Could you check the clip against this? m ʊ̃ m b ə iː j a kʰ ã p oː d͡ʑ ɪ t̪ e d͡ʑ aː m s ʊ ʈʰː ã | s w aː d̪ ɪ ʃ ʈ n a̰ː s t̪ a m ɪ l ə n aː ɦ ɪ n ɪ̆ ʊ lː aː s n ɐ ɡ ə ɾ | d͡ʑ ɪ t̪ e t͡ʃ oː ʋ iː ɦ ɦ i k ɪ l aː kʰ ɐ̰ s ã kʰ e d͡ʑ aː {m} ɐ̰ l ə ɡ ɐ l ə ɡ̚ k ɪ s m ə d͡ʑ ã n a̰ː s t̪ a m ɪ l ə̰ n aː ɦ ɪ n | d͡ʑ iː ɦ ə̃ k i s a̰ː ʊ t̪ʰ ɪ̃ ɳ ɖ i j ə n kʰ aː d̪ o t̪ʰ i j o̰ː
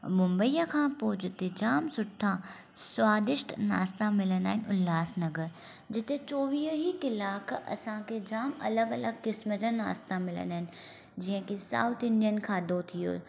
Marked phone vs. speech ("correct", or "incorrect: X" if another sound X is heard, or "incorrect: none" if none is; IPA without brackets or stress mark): correct